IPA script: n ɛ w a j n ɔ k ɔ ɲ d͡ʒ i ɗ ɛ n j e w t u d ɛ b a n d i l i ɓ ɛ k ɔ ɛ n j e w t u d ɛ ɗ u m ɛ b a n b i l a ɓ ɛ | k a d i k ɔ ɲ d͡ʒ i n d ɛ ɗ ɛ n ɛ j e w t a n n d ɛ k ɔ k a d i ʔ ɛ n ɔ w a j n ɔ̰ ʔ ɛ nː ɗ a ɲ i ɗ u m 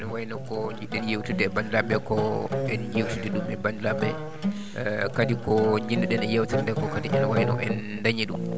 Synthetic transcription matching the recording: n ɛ w a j n ɔ k ɔ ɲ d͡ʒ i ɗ ɛ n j e w t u d ɛ b a n d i l a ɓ ɛ k ɔ ɛ n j e w t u d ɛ ɗ u m ɛ b a n d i l a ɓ ɛ | k a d i k ɔ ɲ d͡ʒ i n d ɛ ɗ ɛ n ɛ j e w t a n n d ɛ k ɔ k a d i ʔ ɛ n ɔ w a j n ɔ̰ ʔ ɛ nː d a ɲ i ɗ u m

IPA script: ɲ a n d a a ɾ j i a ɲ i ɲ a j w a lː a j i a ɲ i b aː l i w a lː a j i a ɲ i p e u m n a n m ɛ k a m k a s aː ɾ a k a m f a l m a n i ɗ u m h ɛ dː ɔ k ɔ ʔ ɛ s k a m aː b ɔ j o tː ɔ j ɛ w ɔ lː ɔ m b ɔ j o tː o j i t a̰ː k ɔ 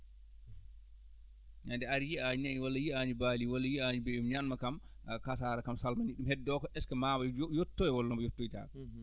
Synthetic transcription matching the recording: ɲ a n d ɛ a ɾ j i a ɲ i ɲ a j w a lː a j i a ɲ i b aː l i w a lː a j i a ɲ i b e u m ɲ a n m a k a m k a s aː ɾ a k a m s a l m a n i ɗ u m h ɛ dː ɔ k ɔ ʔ ɛ s k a m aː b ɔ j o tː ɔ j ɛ w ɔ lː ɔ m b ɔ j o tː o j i t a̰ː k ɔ

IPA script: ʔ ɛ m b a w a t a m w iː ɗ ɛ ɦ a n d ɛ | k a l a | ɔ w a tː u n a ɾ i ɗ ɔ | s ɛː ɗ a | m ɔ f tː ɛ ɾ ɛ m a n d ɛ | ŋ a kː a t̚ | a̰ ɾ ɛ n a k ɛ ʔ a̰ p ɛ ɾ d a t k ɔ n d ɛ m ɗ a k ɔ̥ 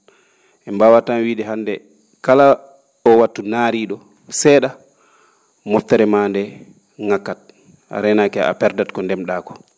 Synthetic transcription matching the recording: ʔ ɛ m b a w a t a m w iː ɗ ɛ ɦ a n d ɛ | k a l a | ɔ w a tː u n a ɾ i ɗ ɔ | s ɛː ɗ a | m ɔ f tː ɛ ɾ ɛ m a n d ɛ | ŋ a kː a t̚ | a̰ ɾ ɛ n a k ɛ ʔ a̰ p ɛ ɾ d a t k ɔ n d ɛ m ɗ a k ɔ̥

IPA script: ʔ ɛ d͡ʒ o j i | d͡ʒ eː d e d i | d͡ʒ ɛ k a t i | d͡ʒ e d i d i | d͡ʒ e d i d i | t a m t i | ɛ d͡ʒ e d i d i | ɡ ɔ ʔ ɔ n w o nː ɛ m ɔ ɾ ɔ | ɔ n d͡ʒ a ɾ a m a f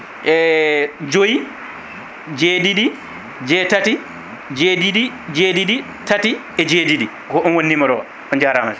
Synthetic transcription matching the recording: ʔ ɛ d͡ʒ o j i | d͡ʒ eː d i d i | d͡ʒ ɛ t a t i | d͡ʒ e d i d i | d͡ʒ e d i d i | t a t i | ɛ d͡ʒ e d i d i | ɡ ɔ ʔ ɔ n w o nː i m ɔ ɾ ɔ | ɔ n d͡ʒ a ɾ a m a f

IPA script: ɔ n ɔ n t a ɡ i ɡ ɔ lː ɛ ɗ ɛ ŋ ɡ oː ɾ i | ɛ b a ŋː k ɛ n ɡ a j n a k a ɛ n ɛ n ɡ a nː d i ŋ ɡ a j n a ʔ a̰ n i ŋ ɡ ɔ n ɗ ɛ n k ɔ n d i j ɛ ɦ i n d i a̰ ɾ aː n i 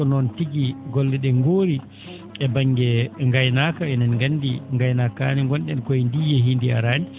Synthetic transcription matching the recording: ɔ n ɔ n t i ɡ i ɡ ɔ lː ɛ ɗ ɛ ŋ ɡ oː ɾ i | ɛ b a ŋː ɡ ɛ ŋ ɡ a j n a k a ɛ n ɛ n ɡ a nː d i ŋ ɡ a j n a k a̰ n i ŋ ɡ ɔ n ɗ ɛ n k ɔ n d i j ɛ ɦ i n d i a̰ ɾ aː n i

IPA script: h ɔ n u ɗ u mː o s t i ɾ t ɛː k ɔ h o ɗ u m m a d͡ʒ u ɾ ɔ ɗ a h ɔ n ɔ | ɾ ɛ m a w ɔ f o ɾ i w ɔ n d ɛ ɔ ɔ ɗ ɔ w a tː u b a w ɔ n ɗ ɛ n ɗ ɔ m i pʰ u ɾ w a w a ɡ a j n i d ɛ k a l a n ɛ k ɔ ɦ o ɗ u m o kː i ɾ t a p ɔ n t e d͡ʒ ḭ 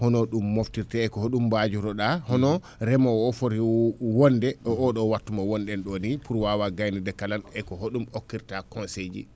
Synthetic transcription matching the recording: h ɔ n ɔ ɗ u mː o f t i ɾ t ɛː k ɔ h o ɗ u m b a d͡ʒ u ɾ ɔ ɗ a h ɔ n ɔ | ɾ ɛ m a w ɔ f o ɾ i w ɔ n d ɛ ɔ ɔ ɗ ɔ w a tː u m a w ɔ n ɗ ɛ n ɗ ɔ n i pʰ u ɾ w a w a ɡ a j n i d ɛ k a l a n ɛ k ɔ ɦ o ɗ u m o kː i ɾ t a k ɔ n s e d͡ʒ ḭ

